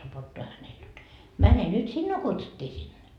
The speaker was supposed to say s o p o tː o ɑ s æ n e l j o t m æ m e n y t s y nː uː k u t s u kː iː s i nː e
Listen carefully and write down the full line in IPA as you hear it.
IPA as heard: s o p o tː o ɑ h æ n e l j o t m æ n e n y t s i nː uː k u t s u tː iː s i nː e